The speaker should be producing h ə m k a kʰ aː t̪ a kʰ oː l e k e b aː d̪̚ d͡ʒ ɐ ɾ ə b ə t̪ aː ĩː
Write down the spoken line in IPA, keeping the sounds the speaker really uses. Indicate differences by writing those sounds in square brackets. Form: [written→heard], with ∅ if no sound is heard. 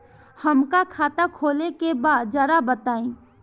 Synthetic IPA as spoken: h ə m k a kʰ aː t̪ a kʰ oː l e k e b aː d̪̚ d͡ʒ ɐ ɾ [ə→a] b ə t̪ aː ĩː